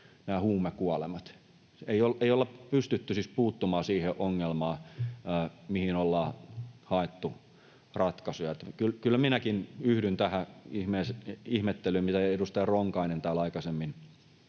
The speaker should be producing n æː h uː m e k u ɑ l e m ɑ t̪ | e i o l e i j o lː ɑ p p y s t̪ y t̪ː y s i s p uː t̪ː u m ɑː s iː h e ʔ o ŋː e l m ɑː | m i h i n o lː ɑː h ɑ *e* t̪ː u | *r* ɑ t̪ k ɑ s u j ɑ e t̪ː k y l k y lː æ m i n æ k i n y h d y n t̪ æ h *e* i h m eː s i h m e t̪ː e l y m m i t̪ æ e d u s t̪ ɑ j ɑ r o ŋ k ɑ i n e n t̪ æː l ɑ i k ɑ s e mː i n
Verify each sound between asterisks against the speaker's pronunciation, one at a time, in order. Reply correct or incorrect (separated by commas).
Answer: correct, correct, incorrect